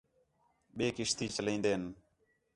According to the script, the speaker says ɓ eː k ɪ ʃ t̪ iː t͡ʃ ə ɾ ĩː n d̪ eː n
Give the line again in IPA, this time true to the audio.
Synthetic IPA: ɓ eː k ɪ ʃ t̪ iː t͡ʃ ə l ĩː n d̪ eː n